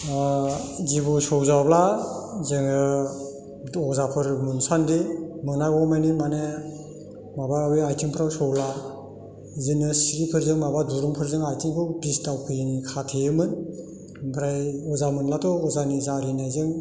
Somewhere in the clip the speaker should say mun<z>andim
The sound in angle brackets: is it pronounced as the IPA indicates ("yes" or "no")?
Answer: no